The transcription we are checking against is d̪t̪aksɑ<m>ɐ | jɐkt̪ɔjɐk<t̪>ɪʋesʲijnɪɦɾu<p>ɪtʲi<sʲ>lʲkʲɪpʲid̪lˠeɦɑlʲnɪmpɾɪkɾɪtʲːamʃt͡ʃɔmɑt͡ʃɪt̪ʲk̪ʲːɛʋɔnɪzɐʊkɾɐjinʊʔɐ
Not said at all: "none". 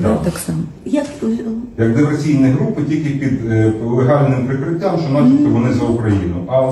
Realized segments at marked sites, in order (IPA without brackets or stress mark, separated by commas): m, d̪, p, none